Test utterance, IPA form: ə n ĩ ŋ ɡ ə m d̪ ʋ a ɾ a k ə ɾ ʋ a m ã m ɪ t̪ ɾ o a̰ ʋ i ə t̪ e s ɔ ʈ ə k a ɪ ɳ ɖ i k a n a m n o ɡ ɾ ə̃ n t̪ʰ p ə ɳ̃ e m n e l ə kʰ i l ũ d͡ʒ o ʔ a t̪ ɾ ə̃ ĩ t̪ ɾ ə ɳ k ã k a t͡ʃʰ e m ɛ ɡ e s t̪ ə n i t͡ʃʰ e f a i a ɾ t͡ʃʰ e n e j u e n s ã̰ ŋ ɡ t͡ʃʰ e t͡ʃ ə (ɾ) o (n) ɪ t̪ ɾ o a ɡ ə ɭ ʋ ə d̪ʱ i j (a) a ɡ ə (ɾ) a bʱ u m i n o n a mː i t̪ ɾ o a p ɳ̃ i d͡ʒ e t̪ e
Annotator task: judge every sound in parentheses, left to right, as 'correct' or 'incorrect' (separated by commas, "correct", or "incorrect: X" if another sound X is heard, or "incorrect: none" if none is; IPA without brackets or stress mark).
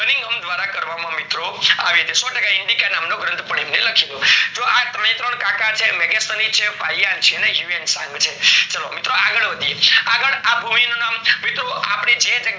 incorrect: l, incorrect: m, incorrect: e, incorrect: ɭ